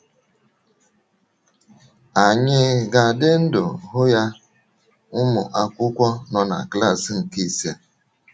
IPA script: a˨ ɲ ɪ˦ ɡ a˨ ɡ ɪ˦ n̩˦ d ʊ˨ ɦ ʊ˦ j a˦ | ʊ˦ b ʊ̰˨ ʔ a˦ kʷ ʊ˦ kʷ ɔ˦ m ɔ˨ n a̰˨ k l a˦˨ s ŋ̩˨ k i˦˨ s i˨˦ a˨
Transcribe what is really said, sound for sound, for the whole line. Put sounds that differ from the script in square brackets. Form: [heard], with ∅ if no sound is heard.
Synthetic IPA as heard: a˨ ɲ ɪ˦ ɡ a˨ [d] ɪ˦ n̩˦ d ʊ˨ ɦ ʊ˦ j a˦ | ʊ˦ [m] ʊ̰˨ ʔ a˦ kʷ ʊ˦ kʷ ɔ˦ [n] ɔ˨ n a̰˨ k l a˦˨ s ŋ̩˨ k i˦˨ s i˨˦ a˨